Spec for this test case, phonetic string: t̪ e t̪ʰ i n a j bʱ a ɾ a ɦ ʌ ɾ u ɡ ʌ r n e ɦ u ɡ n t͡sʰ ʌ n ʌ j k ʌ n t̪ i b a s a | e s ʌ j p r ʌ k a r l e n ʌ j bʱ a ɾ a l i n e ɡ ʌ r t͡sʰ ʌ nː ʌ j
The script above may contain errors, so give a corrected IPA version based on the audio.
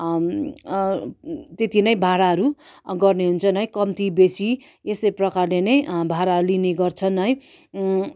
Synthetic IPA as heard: t̪ e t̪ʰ i n ʌ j bʱ a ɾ a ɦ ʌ ɾ u ɡ ʌ r n e ɦ u n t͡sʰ ʌ n ʌ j k ʌ m t̪ i b e s i | e s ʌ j p r ʌ k a r l e n ʌ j bʱ a ɾ a l i n e ɡ ʌ r t͡sʰ ʌ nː ʌ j